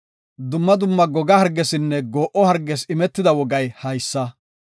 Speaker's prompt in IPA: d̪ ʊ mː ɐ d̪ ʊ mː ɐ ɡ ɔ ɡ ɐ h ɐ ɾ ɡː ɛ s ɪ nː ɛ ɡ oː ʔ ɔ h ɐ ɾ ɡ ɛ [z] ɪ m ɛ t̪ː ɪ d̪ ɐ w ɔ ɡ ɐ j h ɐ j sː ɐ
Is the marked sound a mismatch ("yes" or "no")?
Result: yes